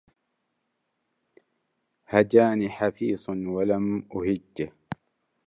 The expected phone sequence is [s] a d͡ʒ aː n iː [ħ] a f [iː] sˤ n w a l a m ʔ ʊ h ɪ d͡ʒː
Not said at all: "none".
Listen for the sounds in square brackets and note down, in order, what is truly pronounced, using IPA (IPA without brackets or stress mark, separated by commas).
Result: h, ħ, iː